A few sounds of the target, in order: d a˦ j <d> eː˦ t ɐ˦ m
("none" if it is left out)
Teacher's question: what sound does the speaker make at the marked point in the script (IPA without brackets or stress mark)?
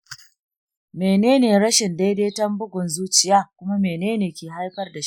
d